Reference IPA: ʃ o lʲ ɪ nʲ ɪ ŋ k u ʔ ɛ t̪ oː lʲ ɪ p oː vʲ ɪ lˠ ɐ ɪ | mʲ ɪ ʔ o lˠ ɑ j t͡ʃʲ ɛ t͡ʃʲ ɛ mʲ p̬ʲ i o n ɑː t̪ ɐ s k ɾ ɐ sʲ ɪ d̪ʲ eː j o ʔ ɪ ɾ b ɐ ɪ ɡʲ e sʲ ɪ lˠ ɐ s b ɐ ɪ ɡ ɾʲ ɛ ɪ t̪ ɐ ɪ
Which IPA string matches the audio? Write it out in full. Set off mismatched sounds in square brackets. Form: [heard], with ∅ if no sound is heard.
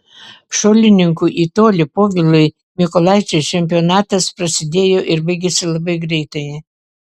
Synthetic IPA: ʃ o lʲ ɪ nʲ ɪ ŋ k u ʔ [i] t̪ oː lʲ ɪ p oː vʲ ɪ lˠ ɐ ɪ | mʲ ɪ [k] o lˠ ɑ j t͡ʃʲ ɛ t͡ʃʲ ɛ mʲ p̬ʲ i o n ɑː t̪ ɐ s [p] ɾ ɐ sʲ ɪ d̪ʲ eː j o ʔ ɪ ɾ b ɐ ɪ ɡʲ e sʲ ɪ lˠ ɐ [∅] b ɐ ɪ ɡ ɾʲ ɛ ɪ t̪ ɐ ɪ